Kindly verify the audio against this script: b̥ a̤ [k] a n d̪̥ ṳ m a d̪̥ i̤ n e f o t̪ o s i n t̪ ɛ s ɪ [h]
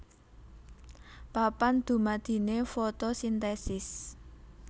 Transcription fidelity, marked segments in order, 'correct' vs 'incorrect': incorrect, incorrect

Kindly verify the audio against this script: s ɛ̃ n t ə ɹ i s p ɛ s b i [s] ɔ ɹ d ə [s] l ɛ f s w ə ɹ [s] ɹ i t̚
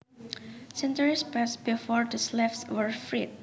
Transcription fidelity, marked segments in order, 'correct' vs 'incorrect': incorrect, correct, incorrect

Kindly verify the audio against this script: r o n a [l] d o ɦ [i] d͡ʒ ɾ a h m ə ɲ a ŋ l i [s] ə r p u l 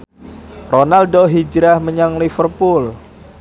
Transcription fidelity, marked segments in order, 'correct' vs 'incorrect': correct, correct, incorrect

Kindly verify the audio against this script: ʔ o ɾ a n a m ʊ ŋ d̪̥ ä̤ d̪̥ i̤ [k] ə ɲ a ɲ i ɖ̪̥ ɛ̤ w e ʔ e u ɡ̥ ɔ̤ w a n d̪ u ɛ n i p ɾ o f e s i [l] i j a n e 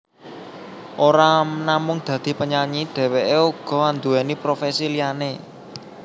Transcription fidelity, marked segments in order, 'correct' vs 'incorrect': incorrect, correct

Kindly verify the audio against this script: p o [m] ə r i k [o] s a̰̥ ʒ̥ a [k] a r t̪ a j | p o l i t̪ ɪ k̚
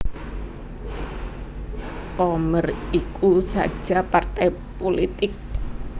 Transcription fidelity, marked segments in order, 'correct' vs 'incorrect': correct, incorrect, incorrect

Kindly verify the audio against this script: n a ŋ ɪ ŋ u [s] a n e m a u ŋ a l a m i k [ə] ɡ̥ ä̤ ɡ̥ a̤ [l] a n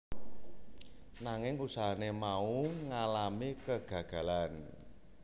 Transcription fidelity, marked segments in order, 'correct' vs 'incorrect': correct, correct, correct

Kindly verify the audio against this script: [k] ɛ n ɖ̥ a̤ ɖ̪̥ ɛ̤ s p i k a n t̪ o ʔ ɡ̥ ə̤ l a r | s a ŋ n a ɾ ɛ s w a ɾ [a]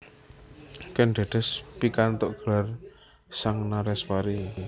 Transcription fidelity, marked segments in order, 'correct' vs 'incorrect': correct, incorrect

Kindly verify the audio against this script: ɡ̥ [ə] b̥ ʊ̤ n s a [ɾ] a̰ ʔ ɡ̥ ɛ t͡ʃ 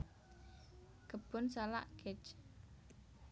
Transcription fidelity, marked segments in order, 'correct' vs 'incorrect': correct, incorrect

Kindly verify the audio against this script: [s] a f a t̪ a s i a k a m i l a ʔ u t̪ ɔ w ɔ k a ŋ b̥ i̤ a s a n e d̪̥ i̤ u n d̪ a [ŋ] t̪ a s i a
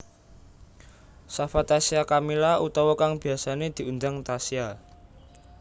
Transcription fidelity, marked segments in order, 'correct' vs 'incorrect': correct, correct

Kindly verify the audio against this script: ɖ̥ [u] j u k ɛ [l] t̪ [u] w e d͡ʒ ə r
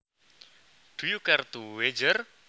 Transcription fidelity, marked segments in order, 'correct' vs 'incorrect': correct, incorrect, correct

